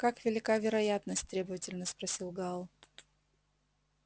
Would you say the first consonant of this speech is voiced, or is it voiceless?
voiceless